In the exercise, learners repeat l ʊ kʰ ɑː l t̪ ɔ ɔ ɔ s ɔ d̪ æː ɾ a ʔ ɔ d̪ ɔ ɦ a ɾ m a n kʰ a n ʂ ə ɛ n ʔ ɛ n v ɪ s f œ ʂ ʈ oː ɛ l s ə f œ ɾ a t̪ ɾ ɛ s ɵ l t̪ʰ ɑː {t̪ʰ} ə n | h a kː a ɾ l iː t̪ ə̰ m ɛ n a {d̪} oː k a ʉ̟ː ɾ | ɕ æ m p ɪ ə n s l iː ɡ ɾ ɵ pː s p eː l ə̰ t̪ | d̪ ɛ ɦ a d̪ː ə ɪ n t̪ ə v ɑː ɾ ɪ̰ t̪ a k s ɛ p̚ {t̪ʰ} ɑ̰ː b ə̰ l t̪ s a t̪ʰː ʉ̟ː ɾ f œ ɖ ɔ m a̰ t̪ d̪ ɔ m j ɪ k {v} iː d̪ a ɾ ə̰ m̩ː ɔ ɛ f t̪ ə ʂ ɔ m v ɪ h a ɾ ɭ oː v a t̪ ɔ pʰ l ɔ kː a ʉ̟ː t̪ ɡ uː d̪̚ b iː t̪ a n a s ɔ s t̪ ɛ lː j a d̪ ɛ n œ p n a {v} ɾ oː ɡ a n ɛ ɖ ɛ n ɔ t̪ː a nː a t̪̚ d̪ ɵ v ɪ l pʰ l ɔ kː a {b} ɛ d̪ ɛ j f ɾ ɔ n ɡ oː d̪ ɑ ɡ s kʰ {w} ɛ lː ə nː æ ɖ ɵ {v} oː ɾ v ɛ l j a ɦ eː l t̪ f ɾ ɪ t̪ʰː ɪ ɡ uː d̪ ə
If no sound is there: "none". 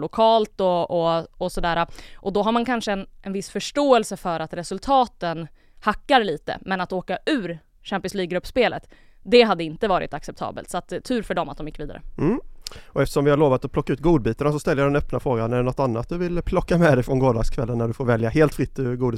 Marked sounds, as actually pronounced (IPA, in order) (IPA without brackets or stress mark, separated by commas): t̪, t̪, t̪ʰ, v, f, m, v, f